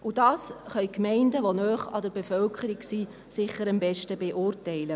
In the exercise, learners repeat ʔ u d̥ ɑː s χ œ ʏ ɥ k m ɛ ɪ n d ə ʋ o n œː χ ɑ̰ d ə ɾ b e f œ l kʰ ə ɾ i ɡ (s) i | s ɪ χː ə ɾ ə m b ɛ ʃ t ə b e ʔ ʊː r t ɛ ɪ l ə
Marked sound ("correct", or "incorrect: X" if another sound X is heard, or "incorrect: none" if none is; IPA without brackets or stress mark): correct